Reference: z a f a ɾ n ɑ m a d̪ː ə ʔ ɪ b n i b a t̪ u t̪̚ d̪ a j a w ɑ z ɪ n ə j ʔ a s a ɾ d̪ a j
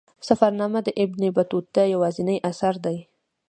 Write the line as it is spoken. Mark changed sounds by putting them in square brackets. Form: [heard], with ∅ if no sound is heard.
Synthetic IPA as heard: [s] a f a ɾ n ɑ m a [d̪] ə ʔ ɪ b n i b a t̪ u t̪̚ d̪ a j a w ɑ z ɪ n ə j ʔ a s a ɾ d̪ a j